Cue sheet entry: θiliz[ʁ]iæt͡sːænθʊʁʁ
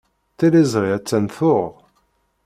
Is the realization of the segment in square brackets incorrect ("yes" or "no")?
no